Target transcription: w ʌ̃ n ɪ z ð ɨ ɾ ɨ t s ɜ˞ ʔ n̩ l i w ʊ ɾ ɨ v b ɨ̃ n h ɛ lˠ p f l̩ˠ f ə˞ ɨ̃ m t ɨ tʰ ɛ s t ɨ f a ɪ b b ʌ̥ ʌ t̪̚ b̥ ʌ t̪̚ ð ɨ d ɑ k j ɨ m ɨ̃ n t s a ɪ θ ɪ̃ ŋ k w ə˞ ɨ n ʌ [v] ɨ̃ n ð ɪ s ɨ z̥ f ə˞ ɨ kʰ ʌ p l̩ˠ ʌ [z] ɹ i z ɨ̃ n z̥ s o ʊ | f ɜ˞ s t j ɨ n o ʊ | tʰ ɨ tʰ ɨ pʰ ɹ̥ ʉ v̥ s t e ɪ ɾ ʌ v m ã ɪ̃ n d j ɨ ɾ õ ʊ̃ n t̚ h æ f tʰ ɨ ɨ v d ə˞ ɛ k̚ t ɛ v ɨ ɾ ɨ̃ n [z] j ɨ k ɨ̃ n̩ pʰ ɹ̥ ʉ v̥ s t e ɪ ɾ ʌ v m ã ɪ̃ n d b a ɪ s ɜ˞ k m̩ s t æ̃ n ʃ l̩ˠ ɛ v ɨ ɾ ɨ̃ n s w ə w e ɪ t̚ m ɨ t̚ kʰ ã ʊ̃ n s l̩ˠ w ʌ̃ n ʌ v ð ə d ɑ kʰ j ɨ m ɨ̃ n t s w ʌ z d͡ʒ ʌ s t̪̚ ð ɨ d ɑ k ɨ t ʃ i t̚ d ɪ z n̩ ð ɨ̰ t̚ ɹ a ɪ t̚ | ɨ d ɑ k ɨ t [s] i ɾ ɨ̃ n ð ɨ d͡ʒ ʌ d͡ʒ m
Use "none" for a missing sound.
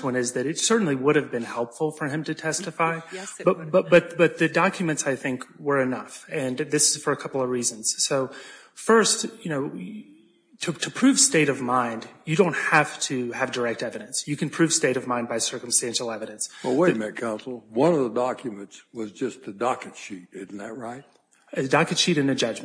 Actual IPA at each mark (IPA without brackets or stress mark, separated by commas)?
f, v, s, ʃ